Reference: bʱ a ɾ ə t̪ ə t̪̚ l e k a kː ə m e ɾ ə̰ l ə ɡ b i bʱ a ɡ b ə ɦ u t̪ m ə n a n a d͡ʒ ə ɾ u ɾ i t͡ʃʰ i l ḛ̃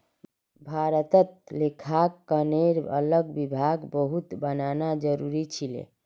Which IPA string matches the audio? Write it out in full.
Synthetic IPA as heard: bʱ a ɾ ə t̪ ə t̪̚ l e kʰ a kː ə n e ɾ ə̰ l ə ɡ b i bʱ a ɡ b ə ɦ u t̪ b ə n a n a d͡ʒ ə ɾ u ɾ i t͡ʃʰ i l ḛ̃